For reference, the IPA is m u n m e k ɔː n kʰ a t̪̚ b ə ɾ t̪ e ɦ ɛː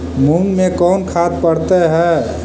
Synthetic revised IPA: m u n m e k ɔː n kʰ a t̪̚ p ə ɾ t̪ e ɦ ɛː